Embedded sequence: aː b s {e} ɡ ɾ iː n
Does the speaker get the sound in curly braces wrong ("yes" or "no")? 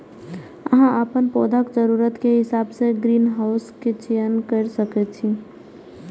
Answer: no